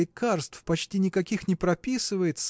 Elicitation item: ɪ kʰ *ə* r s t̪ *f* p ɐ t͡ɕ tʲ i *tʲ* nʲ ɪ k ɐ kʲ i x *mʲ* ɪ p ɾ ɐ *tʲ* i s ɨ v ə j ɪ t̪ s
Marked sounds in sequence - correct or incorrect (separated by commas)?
incorrect, correct, incorrect, incorrect, incorrect